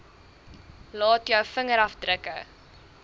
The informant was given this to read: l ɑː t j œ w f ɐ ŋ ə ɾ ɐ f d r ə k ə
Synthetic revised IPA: l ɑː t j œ w f ə ŋ ə ɾ ɐ f d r ə k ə